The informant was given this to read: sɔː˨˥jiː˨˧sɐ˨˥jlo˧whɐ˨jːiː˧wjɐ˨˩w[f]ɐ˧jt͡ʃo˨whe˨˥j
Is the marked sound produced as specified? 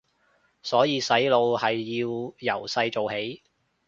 no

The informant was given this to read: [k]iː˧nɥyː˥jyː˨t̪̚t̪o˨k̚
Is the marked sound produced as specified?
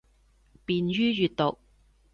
no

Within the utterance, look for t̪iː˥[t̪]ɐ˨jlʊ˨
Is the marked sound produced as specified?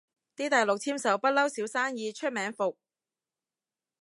yes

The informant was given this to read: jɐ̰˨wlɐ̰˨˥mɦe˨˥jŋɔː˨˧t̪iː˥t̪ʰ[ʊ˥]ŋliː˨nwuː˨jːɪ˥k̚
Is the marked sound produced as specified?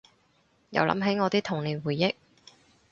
no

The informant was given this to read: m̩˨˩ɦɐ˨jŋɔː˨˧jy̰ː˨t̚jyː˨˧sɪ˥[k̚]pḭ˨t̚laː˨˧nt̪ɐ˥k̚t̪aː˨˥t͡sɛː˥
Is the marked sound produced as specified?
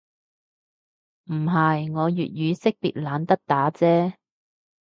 yes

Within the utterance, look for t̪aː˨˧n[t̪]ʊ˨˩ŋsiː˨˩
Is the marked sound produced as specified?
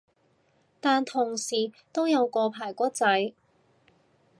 no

